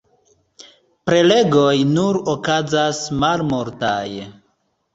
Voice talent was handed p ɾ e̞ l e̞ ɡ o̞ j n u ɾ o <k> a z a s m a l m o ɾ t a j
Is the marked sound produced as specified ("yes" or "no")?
yes